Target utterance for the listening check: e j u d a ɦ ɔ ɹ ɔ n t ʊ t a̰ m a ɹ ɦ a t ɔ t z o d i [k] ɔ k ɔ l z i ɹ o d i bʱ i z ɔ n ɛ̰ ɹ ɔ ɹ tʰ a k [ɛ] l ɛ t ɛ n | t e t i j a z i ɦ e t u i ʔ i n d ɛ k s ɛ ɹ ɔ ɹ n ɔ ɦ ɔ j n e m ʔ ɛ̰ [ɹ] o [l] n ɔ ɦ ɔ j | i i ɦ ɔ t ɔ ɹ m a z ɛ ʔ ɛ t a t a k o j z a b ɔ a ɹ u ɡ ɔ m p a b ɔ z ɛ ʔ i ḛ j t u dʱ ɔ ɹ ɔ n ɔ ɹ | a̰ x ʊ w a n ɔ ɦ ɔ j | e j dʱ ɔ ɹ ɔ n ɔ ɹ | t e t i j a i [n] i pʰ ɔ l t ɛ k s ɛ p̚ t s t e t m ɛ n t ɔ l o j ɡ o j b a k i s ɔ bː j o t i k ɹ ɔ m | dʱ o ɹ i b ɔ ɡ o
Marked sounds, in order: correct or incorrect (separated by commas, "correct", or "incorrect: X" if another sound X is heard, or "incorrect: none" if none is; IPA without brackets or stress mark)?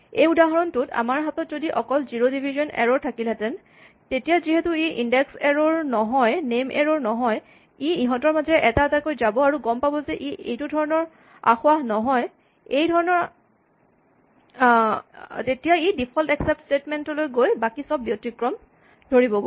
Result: incorrect: ʔ, incorrect: i, correct, incorrect: ɹ, incorrect: d